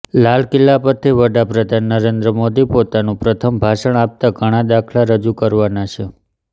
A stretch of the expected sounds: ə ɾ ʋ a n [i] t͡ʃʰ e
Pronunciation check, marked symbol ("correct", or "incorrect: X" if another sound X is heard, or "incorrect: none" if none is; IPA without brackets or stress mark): incorrect: a